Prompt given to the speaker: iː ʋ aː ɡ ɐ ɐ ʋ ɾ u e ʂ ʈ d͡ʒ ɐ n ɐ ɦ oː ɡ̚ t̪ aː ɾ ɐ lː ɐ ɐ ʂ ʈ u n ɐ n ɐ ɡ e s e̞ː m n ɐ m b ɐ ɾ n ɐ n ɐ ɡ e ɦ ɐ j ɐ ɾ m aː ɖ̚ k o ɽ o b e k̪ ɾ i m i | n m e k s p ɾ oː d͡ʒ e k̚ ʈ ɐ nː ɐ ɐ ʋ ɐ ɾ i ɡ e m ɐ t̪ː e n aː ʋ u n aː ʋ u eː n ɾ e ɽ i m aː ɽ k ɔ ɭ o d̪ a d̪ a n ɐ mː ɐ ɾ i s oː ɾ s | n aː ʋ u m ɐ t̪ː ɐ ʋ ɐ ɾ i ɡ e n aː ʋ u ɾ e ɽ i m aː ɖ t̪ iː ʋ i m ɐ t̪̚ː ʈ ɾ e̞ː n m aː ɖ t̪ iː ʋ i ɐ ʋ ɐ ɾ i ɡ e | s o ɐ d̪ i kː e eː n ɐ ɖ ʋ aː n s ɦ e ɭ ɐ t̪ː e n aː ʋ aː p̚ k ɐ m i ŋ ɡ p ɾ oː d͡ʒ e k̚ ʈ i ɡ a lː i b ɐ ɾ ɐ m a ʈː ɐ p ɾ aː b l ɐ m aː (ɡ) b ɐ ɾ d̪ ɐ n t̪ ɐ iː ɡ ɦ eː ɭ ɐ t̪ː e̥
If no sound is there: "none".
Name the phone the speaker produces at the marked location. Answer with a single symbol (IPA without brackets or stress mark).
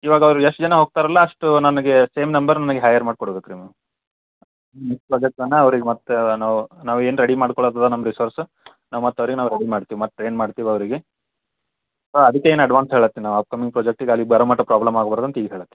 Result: ɡ